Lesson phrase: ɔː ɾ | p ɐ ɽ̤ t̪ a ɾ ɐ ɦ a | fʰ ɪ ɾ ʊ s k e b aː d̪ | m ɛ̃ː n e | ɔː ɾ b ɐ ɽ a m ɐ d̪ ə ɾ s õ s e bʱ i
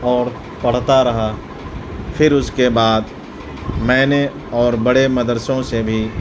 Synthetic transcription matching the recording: ɔː ɾ | p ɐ ɽ̤ t̪ a ɾ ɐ ɦ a | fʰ ɪ ɾ ʊ s k e b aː d̪ | m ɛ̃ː n e | ɔː ɾ b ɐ ɽ e m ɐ d̪ ə ɾ s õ s e bʱ i